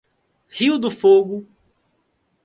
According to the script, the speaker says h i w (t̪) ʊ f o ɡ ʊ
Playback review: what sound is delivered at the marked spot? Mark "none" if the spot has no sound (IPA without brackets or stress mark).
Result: d̪